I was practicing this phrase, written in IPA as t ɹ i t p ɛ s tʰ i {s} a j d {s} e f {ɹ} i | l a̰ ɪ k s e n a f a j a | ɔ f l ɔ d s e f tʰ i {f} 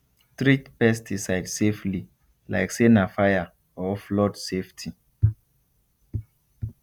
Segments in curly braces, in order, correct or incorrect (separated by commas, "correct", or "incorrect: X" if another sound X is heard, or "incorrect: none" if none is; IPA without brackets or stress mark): correct, correct, incorrect: l, incorrect: none